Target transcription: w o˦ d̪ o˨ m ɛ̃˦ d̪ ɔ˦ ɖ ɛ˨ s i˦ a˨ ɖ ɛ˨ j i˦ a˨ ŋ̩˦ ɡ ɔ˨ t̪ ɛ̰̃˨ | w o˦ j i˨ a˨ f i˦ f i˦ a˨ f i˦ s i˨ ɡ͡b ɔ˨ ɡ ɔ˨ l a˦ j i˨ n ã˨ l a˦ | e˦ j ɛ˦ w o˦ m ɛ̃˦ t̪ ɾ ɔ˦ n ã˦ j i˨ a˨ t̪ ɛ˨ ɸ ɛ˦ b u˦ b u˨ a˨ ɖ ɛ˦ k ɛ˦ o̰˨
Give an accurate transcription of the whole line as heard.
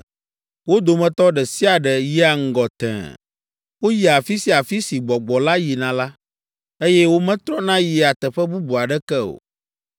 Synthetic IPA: w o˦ d̪ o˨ m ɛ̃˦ t̪ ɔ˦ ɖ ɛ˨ s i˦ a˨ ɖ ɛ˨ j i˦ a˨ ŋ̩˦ ɡ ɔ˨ t̪ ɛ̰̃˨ | w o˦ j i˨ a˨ f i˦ s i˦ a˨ f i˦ s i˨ ɡ͡b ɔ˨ ɡ͡b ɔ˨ l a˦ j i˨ n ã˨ l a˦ | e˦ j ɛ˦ w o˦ m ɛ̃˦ t̪ ɾ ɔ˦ n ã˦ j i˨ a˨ t̪ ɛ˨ ɸ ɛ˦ b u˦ b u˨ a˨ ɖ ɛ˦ k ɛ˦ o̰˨